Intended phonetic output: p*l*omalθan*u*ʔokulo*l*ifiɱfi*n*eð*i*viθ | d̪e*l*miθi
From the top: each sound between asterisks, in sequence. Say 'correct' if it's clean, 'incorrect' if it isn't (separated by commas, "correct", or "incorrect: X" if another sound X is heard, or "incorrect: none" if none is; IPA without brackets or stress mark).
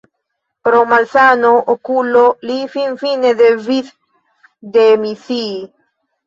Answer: incorrect: ɾ, incorrect: o, correct, correct, incorrect: e, incorrect: none